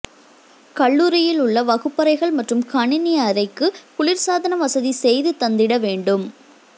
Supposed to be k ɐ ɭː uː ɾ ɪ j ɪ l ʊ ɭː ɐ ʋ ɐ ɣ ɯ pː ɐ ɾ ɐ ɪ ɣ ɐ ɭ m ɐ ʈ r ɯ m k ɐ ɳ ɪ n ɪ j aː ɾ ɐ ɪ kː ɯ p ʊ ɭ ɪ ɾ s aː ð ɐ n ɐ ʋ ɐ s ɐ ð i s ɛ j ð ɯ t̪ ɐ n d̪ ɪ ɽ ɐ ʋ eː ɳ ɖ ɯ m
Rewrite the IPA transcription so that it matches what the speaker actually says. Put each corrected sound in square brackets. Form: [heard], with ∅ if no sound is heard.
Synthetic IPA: k ɐ ɭː uː ɾ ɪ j ɪ l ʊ ɭː ɐ ʋ ɐ ɣ ɯ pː ɐ ɾ ɐ ɪ ɣ ɐ ɭ m ɐ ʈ r ɯ m k ɐ ɳ ɪ n ɪ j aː ɾ ɐ ɪ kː ɯ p ʊ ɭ ɪ ɾ s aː ð ɐ n ɐ ʋ ɐ s ɐ ð i s ɛ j ð ɯ t̪ ɐ n d̪ ɪ ɽ ɐ ʋ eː ɳ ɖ ɯ m